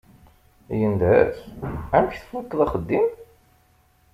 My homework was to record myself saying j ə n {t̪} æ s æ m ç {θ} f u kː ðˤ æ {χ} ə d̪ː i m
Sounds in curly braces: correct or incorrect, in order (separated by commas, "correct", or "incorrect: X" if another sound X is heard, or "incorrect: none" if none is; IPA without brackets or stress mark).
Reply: incorrect: d̪, correct, correct